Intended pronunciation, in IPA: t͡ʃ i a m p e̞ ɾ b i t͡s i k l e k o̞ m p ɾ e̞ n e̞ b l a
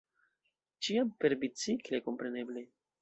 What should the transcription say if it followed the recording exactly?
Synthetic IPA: t͡ʃ i a m p e̞ ɾ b i t͡s i k l e k o̞ m p ɾ e̞ n e̞ b l e